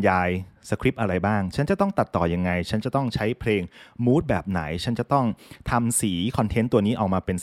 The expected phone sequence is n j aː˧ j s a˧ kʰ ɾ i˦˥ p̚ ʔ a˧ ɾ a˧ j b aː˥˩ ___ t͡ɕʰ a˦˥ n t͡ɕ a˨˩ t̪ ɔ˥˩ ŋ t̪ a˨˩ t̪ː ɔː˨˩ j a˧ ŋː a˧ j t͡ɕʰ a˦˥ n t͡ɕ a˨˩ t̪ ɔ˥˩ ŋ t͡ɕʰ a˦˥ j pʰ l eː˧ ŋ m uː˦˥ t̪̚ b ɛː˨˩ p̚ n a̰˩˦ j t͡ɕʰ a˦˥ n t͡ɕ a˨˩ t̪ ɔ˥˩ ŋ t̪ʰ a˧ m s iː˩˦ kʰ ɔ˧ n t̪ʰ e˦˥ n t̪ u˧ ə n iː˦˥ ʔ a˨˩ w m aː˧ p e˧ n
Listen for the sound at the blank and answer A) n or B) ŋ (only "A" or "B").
B